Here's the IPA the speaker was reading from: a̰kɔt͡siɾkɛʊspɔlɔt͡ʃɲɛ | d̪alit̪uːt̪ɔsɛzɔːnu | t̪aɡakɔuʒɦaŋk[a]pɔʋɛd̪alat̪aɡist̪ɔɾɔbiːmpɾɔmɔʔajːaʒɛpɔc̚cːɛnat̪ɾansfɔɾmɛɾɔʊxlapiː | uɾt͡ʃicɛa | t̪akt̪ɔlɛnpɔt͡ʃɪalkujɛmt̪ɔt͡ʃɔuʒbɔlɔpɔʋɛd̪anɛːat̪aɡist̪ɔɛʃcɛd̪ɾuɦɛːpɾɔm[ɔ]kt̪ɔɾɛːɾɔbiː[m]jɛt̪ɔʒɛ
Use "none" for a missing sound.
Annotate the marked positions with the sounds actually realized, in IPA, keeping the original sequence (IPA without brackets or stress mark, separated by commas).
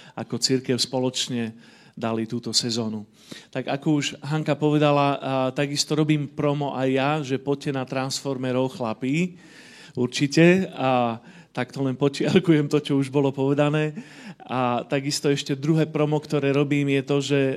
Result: a, ɔ, m